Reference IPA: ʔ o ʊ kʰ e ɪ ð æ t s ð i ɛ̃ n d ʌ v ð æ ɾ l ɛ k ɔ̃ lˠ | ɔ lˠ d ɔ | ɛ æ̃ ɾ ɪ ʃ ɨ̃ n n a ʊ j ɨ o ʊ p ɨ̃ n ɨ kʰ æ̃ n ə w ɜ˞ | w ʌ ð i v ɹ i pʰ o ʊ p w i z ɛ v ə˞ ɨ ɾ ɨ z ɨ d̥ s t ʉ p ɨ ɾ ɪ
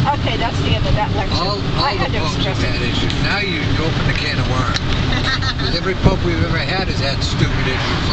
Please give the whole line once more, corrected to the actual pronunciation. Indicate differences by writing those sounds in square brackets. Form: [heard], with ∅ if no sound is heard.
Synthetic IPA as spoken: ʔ o ʊ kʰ e ɪ ð æ t s ð i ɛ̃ n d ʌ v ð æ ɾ l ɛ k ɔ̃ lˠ | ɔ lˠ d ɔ | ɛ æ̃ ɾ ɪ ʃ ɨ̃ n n a ʊ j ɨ o ʊ p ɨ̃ n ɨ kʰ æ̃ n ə w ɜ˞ | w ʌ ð [ɛ] v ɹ i pʰ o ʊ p w i [v] ɛ v ə˞ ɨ ɾ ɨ z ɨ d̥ s t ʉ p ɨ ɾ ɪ